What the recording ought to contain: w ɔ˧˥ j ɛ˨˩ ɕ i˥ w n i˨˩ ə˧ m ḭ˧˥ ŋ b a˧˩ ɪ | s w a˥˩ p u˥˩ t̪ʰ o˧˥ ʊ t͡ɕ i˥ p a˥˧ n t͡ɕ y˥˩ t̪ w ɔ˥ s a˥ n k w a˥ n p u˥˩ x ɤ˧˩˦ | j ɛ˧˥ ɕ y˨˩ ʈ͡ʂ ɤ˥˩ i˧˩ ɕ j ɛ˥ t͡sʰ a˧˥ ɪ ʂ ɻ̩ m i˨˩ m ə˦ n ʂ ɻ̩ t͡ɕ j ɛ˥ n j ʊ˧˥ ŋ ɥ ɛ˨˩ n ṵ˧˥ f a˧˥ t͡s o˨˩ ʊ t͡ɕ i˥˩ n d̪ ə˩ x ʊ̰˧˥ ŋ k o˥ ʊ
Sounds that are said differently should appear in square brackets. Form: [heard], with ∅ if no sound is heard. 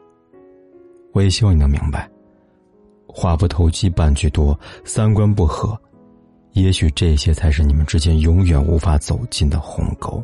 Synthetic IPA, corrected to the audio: w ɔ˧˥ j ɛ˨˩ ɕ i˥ w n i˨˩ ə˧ m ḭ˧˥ ŋ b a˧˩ ɪ | [x] w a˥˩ p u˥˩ t̪ʰ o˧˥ ʊ t͡ɕ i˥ p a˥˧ n t͡ɕ y˥˩ t̪ w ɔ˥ s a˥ n k w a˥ n p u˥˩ x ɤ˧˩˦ | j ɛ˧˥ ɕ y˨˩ ʈ͡ʂ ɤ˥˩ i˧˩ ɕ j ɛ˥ t͡sʰ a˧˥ ɪ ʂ ɻ̩ [n] i˨˩ m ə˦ n [ʈ͡ʂ] ɻ̩ t͡ɕ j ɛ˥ n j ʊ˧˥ ŋ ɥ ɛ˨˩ n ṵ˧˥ f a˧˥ t͡s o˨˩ ʊ t͡ɕ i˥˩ n d̪ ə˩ x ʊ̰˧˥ ŋ k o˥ ʊ